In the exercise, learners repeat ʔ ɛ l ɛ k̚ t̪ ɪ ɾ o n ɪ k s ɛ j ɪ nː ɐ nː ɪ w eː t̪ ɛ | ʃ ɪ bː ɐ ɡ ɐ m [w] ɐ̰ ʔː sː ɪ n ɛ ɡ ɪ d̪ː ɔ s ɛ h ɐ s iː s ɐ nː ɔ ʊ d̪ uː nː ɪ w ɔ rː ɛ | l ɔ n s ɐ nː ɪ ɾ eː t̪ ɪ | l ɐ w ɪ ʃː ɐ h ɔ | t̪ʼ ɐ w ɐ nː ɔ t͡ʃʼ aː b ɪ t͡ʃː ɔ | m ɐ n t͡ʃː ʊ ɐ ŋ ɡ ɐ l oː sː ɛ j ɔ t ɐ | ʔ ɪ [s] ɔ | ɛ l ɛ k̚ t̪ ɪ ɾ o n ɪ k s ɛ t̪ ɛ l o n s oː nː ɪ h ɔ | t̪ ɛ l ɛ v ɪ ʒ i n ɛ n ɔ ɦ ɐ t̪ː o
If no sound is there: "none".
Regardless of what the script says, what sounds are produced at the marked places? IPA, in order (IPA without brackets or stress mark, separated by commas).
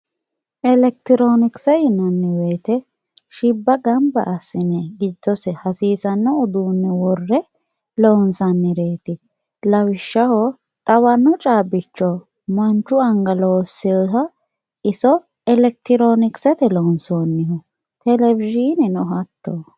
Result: b, s